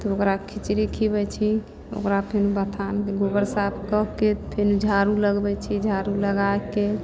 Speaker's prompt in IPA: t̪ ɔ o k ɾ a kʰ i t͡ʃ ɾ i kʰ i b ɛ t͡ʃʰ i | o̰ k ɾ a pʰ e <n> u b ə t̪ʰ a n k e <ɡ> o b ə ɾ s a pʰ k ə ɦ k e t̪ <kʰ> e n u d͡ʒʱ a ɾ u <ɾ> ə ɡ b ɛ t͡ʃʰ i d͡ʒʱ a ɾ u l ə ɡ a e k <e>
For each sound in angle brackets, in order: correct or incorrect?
correct, correct, incorrect: pʰ, incorrect: l, correct

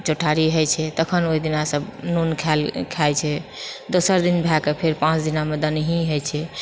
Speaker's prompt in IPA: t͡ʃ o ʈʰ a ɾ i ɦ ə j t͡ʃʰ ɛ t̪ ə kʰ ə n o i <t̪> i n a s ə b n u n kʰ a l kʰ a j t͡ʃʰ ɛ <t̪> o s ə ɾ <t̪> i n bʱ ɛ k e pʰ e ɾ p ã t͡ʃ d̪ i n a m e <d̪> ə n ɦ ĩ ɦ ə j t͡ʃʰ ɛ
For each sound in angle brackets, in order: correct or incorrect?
incorrect: d̪, incorrect: d̪, incorrect: d̪, correct

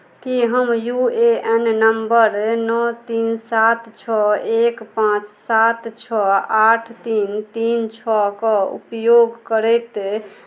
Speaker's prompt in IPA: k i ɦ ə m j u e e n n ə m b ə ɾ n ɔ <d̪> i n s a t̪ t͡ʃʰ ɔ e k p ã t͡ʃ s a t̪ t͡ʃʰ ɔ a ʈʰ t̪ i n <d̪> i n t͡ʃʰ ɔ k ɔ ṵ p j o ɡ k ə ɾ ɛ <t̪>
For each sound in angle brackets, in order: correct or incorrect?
incorrect: t̪, incorrect: t̪, correct

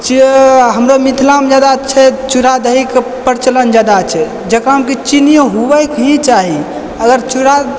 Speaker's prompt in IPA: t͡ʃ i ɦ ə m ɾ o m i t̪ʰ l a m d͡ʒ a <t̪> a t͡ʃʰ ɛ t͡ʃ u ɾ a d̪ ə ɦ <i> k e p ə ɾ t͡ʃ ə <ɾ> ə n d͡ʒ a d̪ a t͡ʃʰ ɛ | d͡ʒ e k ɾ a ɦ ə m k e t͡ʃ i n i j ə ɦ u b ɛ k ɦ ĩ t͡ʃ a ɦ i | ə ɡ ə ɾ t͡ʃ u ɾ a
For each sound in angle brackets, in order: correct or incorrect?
incorrect: d̪, correct, incorrect: l

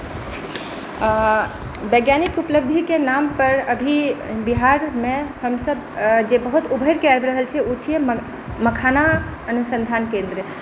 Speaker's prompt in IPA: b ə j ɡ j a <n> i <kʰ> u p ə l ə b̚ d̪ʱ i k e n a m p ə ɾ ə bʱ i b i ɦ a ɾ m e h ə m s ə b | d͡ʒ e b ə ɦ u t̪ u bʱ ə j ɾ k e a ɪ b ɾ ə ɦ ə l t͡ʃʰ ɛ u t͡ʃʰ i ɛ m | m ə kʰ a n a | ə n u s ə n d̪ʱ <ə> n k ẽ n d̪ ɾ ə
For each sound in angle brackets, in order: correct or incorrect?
correct, incorrect: k, incorrect: a

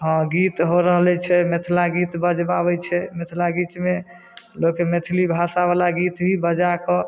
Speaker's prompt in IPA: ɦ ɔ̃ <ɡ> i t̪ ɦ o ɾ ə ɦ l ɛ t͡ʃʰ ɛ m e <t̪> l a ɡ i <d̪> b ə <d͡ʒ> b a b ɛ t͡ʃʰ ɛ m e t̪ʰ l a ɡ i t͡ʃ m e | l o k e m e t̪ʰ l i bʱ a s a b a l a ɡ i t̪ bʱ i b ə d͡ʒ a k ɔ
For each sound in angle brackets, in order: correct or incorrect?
correct, incorrect: t̪ʰ, incorrect: t̪, correct

